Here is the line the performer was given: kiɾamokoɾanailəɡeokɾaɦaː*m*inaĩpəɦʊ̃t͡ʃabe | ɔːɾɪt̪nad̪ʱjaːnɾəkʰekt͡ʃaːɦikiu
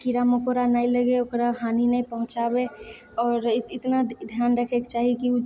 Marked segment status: incorrect: n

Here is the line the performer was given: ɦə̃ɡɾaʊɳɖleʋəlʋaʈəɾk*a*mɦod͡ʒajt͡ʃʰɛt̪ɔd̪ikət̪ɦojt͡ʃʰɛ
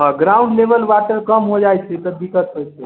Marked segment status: incorrect: ə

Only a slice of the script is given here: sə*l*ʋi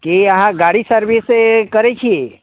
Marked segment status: incorrect: ɾ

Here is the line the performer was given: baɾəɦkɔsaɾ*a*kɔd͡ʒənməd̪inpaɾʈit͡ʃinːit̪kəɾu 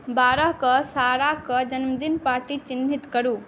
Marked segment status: correct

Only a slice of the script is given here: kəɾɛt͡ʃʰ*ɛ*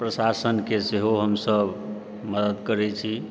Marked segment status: incorrect: i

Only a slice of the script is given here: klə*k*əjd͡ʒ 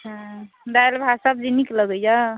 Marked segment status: incorrect: ɡ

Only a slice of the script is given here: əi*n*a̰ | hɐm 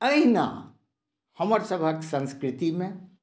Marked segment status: correct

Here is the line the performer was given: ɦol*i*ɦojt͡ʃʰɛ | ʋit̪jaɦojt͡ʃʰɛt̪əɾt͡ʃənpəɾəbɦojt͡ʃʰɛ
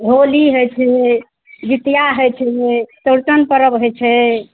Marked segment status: correct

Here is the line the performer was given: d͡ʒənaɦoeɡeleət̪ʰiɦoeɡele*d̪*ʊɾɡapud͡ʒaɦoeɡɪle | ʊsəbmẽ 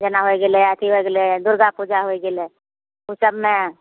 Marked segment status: correct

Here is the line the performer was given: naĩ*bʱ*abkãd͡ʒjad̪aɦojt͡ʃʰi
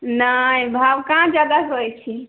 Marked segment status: correct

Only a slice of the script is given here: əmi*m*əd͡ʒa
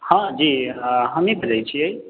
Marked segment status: incorrect: b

